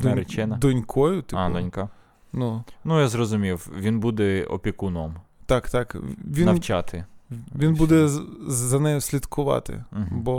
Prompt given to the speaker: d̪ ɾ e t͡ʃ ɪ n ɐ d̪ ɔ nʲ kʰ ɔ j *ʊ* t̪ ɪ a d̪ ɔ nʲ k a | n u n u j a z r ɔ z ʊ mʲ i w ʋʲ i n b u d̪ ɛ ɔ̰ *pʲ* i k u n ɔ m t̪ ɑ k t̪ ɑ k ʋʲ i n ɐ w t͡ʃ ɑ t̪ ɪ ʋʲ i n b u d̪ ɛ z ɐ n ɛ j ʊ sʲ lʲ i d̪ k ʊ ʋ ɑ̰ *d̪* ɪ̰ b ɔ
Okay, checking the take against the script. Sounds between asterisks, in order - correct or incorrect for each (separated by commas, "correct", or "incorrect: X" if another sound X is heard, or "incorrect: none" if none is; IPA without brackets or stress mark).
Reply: correct, correct, incorrect: t̪